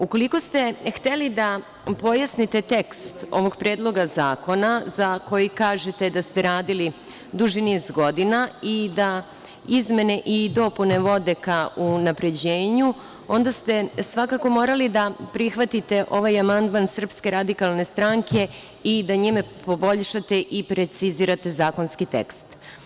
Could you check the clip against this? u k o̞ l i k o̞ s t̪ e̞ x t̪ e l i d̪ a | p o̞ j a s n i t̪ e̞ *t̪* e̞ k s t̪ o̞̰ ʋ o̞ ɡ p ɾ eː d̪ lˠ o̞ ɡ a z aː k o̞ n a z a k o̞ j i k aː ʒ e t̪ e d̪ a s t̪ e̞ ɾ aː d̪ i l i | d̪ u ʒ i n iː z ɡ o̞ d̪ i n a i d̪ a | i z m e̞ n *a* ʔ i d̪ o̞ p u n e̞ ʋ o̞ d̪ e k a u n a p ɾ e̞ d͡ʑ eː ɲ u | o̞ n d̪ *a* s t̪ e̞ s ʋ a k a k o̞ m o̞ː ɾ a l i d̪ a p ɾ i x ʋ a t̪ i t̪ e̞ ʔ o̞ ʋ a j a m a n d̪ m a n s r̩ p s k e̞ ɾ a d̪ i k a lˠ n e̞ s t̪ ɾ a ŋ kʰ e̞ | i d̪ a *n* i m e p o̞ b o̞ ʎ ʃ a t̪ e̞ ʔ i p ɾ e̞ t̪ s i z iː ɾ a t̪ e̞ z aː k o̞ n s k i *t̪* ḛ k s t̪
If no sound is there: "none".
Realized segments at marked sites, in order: t̪, e, a, ɲ, t̪

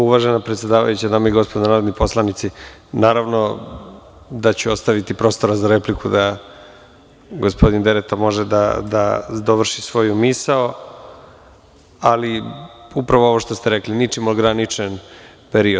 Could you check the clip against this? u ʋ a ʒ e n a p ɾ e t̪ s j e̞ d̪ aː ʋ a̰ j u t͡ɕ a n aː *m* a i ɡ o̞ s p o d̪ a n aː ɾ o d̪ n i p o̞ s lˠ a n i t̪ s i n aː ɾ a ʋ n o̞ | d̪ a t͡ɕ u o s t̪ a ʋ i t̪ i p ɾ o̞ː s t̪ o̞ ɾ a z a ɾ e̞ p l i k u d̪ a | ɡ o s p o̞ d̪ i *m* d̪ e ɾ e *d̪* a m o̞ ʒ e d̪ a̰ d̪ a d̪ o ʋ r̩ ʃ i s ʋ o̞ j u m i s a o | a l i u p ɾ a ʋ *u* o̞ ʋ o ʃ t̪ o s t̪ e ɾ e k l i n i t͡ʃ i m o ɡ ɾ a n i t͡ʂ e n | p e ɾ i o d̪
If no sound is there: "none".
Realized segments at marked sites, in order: m, n, t̪, o

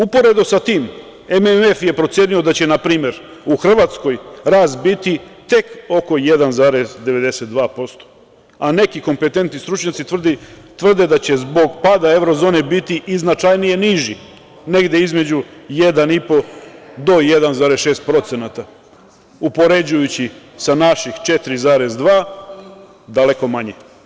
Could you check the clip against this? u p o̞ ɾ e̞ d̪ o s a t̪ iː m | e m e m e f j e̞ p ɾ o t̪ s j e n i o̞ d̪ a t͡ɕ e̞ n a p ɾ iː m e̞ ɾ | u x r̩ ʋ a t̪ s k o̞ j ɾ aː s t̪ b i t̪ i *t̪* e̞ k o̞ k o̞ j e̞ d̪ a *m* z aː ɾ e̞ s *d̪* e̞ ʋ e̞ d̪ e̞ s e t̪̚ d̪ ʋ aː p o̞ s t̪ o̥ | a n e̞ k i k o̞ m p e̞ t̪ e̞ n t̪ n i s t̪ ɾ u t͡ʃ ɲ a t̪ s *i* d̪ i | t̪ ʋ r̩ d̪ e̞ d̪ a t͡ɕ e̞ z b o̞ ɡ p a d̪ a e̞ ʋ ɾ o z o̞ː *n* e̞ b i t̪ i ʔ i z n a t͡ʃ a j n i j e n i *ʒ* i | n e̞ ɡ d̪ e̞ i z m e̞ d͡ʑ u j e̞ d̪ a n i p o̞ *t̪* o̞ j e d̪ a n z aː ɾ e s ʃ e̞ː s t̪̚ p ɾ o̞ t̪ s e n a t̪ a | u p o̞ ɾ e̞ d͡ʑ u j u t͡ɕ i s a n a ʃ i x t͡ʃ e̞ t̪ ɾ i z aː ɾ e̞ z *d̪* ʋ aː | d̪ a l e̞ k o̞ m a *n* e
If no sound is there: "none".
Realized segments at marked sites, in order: t̪, n, d̪, i, n, ʒ, d̪, d̪, ɲ

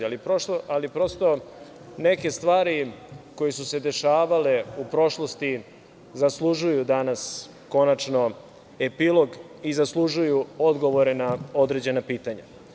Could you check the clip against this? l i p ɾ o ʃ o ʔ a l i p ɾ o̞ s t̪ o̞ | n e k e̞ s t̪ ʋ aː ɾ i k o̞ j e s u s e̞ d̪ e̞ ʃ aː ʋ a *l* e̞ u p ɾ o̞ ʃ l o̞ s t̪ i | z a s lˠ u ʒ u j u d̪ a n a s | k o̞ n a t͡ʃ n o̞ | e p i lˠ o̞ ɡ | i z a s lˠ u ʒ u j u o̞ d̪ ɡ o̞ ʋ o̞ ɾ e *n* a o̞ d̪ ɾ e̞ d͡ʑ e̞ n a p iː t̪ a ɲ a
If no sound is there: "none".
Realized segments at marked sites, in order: l, n

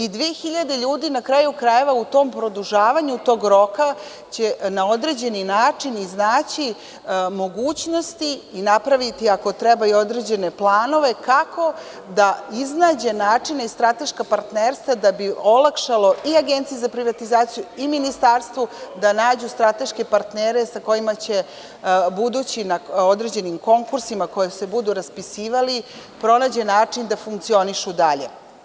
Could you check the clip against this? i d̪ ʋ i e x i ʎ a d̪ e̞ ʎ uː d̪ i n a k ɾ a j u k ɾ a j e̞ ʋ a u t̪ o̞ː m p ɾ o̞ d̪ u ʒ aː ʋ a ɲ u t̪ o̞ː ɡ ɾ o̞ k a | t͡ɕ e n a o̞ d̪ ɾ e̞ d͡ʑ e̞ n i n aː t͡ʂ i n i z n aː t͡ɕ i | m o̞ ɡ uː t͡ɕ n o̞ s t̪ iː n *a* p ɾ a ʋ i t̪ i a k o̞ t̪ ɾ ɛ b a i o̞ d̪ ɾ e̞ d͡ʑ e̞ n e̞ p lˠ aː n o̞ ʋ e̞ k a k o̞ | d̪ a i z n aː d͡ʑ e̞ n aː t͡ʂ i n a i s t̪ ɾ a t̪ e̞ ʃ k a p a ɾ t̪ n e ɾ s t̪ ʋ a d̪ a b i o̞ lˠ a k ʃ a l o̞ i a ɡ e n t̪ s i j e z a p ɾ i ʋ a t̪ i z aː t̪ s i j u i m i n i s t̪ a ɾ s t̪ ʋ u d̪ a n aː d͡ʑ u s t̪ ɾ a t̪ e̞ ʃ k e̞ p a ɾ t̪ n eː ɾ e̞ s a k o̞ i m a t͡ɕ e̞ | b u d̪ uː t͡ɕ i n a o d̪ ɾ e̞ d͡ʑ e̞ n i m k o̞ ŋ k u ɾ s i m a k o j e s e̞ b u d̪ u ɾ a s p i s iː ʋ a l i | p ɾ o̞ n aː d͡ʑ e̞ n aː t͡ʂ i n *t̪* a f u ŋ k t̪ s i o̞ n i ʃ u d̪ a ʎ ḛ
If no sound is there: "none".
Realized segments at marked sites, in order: a, d̪

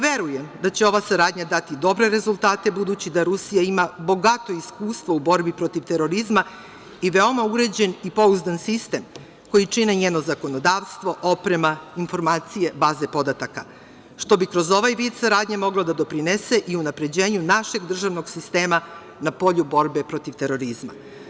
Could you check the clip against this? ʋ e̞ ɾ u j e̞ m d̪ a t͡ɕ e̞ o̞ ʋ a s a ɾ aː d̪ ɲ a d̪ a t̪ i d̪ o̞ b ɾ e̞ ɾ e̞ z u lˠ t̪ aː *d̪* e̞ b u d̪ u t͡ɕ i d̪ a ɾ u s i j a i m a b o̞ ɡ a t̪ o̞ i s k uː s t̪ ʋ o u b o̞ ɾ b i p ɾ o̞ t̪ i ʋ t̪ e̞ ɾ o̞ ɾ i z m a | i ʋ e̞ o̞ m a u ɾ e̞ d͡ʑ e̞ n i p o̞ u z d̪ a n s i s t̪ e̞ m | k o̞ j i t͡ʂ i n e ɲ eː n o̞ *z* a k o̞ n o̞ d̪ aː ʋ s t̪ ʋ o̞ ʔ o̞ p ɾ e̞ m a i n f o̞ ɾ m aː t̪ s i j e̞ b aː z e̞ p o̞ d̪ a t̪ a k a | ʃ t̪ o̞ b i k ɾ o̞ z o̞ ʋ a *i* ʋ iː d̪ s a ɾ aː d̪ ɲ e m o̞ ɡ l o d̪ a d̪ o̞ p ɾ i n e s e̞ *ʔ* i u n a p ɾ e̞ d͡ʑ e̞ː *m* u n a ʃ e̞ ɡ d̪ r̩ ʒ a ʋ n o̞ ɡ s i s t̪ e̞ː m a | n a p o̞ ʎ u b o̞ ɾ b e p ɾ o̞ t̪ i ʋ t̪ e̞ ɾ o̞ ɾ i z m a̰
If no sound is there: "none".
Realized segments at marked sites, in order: t̪, z, j, ʔ, ɲ

